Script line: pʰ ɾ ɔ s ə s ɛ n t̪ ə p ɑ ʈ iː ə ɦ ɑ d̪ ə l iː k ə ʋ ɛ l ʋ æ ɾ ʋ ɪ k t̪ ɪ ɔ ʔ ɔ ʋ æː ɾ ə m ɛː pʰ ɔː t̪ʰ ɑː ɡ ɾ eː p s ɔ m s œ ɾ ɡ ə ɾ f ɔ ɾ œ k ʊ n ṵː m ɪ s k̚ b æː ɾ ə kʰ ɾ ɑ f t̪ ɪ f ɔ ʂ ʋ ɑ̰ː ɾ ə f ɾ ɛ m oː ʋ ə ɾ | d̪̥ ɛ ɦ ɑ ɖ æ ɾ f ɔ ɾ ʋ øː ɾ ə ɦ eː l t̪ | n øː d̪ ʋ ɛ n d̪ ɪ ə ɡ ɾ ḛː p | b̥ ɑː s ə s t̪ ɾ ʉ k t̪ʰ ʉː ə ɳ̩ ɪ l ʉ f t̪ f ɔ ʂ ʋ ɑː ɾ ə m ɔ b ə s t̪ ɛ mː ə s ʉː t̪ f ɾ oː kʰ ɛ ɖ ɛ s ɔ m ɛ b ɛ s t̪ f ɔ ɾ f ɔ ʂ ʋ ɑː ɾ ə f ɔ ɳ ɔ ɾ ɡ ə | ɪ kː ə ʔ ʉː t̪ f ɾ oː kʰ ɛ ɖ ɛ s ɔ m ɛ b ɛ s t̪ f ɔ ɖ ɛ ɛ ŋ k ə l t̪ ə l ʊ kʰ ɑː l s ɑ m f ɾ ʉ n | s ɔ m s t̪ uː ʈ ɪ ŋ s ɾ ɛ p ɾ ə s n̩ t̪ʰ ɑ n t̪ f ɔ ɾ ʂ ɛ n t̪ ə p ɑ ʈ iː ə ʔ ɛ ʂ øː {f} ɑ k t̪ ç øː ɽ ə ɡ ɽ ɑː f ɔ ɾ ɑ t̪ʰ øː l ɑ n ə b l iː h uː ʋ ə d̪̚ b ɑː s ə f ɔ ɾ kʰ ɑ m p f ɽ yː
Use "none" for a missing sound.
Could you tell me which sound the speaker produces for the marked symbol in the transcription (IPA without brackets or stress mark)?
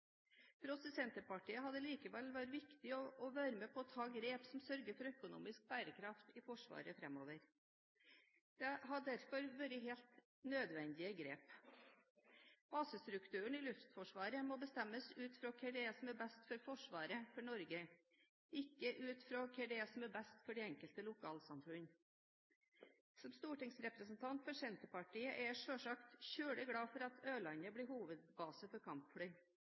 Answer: ʂ